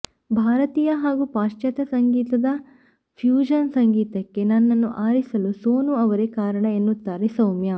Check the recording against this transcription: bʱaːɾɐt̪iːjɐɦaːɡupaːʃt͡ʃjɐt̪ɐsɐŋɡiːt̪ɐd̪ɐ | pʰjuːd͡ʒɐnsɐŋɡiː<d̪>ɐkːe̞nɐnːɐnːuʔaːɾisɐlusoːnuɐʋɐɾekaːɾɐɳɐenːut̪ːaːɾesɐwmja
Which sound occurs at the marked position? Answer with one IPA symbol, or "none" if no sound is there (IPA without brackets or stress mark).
t̪